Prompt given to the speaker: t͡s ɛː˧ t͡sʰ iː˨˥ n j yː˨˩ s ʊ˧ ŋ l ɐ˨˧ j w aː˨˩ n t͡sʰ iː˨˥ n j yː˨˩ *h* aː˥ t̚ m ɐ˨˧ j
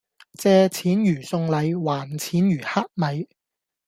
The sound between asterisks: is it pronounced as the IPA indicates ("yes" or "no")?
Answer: yes